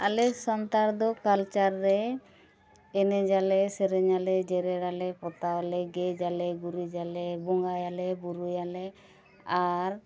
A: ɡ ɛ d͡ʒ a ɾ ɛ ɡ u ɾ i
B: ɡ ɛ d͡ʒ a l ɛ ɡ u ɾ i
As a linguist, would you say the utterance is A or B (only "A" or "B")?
B